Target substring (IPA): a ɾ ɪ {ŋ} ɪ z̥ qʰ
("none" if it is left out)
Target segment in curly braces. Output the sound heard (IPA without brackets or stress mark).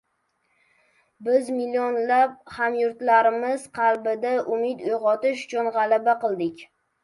m